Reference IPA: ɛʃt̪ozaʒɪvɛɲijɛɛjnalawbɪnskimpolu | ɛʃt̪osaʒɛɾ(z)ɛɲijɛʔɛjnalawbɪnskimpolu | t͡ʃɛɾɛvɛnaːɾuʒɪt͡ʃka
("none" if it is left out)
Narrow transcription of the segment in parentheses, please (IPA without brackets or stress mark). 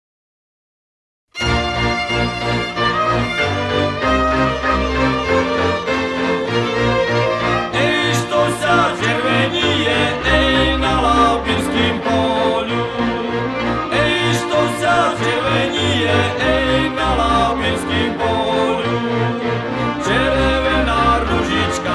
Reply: v